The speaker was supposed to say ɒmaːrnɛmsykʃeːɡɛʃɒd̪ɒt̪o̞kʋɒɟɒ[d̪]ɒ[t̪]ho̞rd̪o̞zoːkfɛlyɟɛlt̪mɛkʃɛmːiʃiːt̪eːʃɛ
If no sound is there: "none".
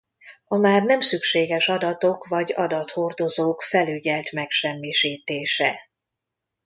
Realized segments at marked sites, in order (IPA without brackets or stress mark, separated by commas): d̪, t̪